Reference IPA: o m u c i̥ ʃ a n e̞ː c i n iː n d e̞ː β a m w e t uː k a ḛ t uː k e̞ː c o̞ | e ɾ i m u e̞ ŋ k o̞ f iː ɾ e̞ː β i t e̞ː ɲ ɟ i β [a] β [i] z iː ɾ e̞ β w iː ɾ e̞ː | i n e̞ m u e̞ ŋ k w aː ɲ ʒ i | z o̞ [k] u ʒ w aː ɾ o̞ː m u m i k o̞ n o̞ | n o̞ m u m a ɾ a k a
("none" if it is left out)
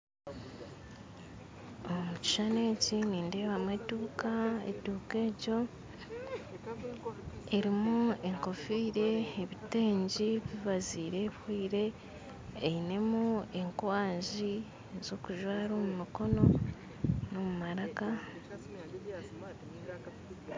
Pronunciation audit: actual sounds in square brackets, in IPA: i, a, k

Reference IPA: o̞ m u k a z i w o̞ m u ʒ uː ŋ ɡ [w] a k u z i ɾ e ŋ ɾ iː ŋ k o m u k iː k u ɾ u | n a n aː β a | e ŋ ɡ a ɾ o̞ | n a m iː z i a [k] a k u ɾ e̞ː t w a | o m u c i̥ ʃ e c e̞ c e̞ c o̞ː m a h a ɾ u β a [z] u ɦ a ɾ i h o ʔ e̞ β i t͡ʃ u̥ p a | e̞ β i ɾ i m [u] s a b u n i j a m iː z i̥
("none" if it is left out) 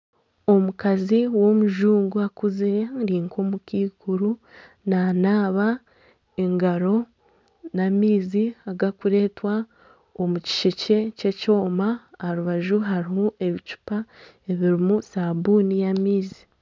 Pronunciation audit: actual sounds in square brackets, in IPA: u, ɡ, ʒ, u

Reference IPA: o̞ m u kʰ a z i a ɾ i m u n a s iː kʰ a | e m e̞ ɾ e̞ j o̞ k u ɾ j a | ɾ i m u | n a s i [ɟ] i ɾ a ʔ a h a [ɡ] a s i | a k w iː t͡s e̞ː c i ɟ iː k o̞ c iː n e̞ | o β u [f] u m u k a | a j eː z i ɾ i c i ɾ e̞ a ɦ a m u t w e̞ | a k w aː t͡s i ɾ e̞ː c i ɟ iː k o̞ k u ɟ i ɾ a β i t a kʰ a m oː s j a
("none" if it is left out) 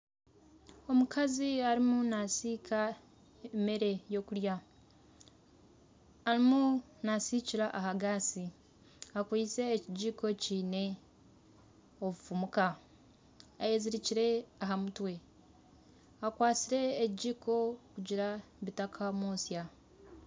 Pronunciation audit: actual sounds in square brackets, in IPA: c, ɡ, f

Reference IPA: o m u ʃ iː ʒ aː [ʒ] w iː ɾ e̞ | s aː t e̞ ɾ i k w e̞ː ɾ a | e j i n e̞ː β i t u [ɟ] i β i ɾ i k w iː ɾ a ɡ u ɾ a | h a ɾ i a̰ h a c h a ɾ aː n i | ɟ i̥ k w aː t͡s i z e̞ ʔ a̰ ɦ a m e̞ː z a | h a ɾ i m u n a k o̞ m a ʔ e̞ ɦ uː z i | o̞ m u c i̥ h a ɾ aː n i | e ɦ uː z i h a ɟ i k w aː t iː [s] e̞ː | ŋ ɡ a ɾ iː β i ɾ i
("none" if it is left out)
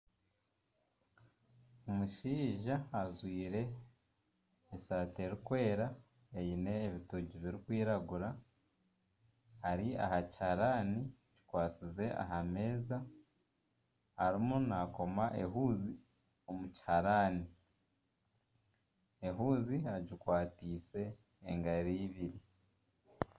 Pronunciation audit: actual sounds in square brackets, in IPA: z, ɟ, s

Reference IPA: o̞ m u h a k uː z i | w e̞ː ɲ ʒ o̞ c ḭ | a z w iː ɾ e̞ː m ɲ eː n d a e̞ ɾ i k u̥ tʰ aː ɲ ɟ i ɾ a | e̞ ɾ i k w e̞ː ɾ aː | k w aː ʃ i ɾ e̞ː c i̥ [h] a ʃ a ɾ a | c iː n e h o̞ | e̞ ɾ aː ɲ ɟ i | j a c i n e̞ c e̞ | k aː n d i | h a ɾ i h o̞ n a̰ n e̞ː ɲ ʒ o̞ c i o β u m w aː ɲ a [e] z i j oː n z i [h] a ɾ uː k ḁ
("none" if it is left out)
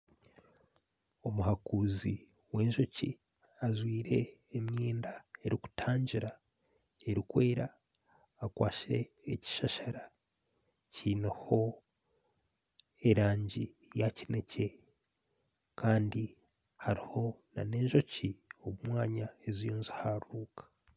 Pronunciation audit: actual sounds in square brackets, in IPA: ʃ, e, h

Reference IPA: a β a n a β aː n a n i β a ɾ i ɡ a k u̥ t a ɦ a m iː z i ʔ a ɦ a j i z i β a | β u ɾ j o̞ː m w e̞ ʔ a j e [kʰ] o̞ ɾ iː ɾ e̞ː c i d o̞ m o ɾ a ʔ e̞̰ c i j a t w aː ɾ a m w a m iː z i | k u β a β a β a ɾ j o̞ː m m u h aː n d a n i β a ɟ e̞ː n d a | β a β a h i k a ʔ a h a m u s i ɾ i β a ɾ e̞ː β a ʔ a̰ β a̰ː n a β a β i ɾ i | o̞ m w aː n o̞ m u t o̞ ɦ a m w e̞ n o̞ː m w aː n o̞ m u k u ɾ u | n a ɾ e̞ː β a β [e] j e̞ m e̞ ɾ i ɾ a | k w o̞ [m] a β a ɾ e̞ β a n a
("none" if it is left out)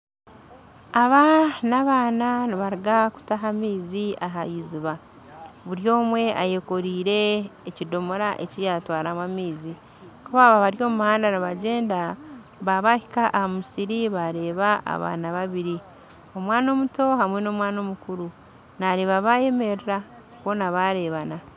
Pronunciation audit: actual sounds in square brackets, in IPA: k, a, n

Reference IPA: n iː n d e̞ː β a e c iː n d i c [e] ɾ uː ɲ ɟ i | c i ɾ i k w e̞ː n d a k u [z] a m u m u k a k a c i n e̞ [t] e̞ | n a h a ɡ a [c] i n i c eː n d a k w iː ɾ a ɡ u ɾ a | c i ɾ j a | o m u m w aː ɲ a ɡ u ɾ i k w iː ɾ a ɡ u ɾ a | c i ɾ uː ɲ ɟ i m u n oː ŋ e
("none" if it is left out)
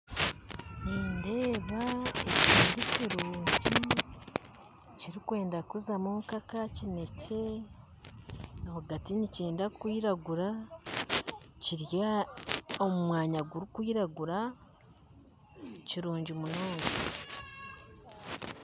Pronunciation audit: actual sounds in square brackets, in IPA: i, z, c, t

